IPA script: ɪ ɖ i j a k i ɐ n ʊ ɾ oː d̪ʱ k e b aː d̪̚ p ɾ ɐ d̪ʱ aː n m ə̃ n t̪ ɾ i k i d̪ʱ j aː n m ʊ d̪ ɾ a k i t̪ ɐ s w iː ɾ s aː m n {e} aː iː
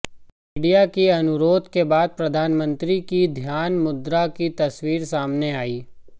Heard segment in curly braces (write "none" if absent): e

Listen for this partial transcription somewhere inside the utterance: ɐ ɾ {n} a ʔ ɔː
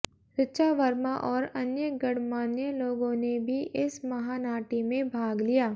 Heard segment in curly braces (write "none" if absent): m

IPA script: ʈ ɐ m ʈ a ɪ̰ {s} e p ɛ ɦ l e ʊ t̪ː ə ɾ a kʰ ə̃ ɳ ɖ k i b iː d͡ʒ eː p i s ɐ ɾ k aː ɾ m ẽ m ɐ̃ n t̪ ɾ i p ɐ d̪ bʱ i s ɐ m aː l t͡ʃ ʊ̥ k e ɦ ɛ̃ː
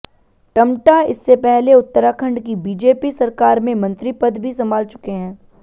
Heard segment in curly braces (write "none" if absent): sː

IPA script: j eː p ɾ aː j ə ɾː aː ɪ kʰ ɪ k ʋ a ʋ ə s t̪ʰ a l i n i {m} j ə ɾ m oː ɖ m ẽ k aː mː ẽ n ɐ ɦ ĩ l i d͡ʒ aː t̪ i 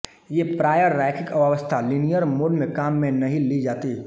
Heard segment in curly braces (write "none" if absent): none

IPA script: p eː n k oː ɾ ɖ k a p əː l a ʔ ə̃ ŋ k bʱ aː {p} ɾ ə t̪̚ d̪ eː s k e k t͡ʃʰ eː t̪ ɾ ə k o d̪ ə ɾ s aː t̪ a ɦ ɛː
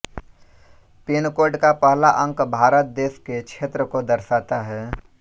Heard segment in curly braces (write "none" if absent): none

